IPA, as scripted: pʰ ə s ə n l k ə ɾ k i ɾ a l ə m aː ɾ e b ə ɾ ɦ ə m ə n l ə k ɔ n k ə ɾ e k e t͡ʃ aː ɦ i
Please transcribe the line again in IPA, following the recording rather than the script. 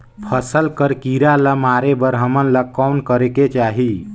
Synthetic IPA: pʰ ə s ə l k ə ɾ k i ɾ a l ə m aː ɾ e b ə ɾ ɦ ə m ə n l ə k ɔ n k ə ɾ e k e t͡ʃ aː ɦ i

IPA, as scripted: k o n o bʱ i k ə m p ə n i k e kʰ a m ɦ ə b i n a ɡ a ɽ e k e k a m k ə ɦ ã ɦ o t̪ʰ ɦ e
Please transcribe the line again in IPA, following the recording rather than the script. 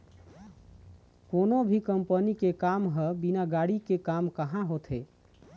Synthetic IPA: k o n o bʱ i k ə m p ə n i k e k a m ɦ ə b i n a ɡ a ɽ i k e k a m k ə ɦ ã ɦ o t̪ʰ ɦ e

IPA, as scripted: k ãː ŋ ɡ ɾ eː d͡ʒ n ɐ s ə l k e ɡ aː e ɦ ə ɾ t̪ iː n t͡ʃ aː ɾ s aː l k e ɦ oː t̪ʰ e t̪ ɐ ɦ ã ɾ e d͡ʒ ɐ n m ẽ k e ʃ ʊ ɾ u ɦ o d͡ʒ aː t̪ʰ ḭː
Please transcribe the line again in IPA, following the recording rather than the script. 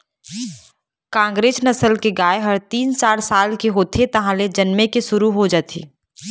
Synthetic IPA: k ãː ŋ ɡ ɾ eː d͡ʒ n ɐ s ə l k e ɡ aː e ɦ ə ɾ t̪ iː n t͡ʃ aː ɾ s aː l k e ɦ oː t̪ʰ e t̪ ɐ ɦ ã l e d͡ʒ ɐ n m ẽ k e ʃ ʊ ɾ u ɦ o d͡ʒ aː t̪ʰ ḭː

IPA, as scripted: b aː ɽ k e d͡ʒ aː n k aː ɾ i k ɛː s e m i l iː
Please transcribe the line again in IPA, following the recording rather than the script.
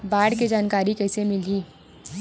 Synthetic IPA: b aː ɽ k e d͡ʒ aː n k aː ɾ i k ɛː s e m ɪ l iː

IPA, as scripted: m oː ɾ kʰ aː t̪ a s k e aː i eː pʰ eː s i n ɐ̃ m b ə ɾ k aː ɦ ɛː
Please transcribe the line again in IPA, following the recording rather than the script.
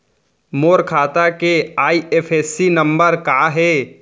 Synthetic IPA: m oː ɾ kʰ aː t̪ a k e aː i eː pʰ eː s i n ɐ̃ m b ə ɾ k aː ɦ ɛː

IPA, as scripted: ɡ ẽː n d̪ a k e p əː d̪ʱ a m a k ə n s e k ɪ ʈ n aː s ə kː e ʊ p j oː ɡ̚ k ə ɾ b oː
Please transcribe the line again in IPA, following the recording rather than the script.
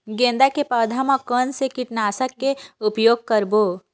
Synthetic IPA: ɡ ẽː n d̪ a k e p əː d̪ʱ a m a k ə n s e k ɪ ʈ n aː s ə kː e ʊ p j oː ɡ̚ k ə ɾ b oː

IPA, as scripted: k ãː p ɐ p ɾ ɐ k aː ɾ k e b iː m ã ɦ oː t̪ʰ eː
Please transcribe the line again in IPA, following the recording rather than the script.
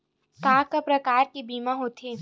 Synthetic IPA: k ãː k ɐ p ɾ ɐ k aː ɾ k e b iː m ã ɦ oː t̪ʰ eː

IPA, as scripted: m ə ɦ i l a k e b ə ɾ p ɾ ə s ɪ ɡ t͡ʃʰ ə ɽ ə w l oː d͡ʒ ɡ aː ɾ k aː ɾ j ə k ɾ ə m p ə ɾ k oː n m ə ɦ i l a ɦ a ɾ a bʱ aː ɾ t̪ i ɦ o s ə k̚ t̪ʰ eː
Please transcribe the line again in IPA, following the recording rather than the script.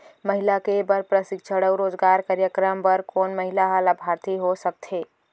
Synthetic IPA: m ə ɦ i l a k e b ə ɾ p ɾ ə s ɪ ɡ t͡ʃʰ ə ɽ ə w ɾ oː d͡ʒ ɡ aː ɾ k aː ɾ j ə k ɾ ə m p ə ɾ k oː n m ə ɦ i l a ɦ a l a bʱ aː ɾ t̪ i ɦ o s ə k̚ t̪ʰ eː

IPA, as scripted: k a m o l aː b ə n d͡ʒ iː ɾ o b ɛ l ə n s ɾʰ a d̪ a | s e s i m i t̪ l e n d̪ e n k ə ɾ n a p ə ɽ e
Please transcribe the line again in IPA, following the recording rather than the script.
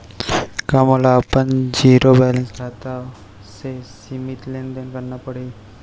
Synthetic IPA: k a m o l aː p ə n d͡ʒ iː ɾ o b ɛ l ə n s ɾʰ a t̪ a | s e s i m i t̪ l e n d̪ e n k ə ɾ n a p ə ɽ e

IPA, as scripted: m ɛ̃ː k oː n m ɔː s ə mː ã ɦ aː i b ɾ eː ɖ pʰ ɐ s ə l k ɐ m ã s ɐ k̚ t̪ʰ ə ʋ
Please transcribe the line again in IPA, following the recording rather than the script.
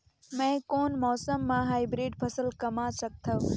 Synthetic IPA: m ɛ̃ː k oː n m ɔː s ə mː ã ɦ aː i b ɾ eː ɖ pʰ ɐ s ə l k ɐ m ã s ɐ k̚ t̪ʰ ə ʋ

